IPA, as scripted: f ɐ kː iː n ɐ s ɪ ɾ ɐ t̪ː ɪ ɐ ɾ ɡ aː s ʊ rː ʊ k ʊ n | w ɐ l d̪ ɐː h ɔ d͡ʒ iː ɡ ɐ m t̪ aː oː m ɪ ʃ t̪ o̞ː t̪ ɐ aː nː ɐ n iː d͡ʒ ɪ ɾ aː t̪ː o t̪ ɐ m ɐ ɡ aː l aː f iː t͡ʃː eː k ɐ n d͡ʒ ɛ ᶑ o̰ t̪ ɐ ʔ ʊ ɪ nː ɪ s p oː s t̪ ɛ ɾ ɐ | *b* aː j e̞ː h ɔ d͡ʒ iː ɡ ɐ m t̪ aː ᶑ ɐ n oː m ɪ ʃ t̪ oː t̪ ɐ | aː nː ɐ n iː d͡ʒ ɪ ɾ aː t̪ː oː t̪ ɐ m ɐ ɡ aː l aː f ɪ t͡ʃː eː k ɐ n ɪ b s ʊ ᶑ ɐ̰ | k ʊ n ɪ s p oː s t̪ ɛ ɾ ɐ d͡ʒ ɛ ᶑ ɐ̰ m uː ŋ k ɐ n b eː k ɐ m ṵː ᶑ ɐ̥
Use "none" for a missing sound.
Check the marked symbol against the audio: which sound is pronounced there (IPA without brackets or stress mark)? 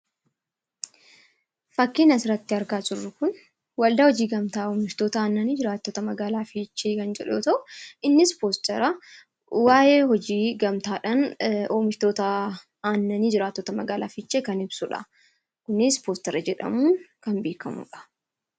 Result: w